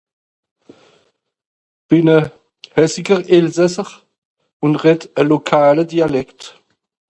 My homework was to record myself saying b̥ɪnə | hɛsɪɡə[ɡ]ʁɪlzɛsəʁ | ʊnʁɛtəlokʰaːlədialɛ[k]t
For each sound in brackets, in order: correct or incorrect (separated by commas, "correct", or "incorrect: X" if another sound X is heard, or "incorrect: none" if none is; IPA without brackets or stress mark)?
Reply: incorrect: none, correct